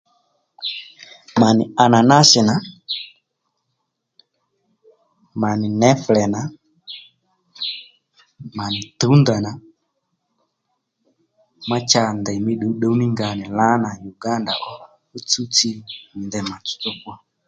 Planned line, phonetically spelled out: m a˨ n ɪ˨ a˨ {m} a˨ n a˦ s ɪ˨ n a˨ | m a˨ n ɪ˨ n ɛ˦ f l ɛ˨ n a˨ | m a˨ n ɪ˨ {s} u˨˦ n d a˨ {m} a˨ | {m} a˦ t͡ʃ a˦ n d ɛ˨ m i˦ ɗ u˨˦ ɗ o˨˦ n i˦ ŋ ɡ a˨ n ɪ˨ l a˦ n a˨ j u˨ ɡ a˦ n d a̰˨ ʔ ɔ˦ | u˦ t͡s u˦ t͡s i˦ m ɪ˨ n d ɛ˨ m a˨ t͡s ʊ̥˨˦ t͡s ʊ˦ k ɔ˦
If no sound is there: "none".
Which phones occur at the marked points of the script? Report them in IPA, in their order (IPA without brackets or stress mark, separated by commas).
n, t, n, m